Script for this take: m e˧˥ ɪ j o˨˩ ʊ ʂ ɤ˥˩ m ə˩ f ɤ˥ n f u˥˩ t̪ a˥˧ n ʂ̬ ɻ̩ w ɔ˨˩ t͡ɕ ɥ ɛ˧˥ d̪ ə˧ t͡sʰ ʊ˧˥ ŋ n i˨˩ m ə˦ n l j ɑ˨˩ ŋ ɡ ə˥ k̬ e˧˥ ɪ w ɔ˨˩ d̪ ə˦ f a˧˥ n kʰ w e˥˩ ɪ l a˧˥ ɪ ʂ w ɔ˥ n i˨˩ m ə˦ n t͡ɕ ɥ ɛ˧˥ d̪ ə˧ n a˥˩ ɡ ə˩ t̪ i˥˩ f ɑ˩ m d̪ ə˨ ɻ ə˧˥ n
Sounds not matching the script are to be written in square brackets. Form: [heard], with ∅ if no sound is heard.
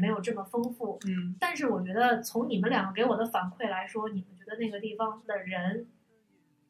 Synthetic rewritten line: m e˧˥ ɪ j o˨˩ ʊ [ʈ͡ʂ] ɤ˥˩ m ə˩ f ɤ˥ [ŋ] f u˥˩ t̪ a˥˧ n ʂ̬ ɻ̩ w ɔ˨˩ t͡ɕ ɥ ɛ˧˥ d̪ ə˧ t͡sʰ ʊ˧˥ ŋ n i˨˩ m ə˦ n l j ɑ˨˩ ŋ ɡ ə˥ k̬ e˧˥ ɪ w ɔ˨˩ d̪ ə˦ f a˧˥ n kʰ w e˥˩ ɪ l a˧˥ ɪ ʂ w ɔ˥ n i˨˩ m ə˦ n t͡ɕ ɥ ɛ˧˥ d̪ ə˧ n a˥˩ ɡ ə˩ t̪ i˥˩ f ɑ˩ [ŋ] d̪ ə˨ ɻ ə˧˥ n